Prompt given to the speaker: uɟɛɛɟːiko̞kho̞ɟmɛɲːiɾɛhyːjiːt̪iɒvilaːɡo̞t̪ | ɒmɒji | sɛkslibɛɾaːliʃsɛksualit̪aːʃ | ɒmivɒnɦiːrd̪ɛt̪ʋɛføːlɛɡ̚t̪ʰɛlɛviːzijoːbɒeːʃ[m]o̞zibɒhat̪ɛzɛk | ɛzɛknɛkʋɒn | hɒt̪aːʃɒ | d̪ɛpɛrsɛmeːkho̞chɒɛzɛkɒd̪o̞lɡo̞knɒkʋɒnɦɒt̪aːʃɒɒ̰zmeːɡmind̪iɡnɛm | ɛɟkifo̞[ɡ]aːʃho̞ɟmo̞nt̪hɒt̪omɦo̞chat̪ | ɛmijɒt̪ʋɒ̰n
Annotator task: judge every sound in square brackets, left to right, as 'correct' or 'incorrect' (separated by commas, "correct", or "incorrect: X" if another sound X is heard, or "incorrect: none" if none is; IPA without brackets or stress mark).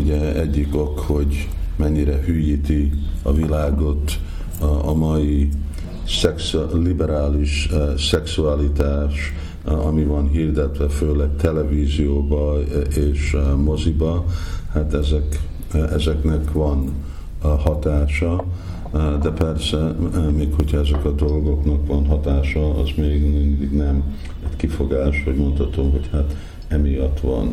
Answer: correct, correct